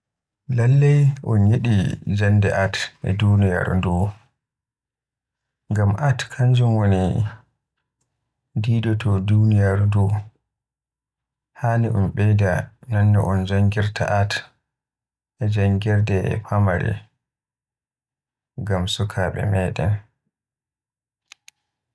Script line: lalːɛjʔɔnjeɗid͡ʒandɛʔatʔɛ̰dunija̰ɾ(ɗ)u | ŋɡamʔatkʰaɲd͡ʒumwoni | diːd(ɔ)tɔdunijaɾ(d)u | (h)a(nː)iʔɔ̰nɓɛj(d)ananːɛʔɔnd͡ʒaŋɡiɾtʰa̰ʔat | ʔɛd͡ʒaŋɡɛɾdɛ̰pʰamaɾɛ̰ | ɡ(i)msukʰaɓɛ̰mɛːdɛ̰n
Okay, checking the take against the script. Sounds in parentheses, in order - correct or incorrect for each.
incorrect, correct, correct, correct, incorrect, correct, incorrect

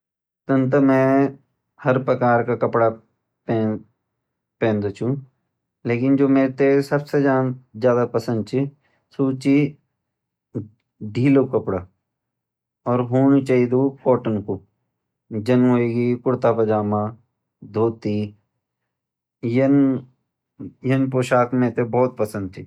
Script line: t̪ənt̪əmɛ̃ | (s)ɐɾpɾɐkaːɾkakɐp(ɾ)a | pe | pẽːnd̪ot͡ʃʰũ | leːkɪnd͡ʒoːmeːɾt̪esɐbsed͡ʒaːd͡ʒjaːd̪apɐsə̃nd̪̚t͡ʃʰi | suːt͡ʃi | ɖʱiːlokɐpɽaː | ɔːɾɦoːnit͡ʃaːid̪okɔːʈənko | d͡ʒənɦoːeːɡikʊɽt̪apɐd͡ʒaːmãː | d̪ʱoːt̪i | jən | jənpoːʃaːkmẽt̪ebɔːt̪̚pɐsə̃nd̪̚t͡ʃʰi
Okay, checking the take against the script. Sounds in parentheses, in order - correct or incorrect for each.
incorrect, incorrect

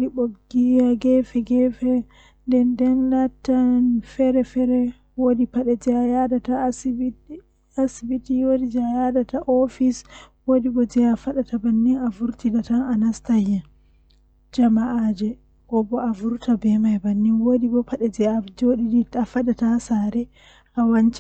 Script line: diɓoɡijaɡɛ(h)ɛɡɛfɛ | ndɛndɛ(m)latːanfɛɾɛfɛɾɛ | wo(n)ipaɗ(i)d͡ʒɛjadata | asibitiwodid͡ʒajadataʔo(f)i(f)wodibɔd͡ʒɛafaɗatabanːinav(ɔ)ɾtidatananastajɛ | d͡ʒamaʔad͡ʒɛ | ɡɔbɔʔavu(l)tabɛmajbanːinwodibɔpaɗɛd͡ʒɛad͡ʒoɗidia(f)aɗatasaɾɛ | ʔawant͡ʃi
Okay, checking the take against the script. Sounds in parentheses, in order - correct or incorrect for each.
incorrect, incorrect, incorrect, incorrect, correct, incorrect, incorrect, incorrect, correct

